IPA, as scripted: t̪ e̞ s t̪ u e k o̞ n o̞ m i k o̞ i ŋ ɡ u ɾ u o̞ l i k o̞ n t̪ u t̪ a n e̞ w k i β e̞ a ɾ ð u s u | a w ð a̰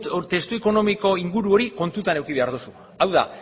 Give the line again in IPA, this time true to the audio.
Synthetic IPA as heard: t̪ e̞ s t̪ u e k o̞ n o̞ m i k o̞ i ŋ ɡ u ɾ u o̞ ɾ i k o̞ n t̪ u t̪ a n e̞ w k i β e̞ a ɾ ð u s u | a w ð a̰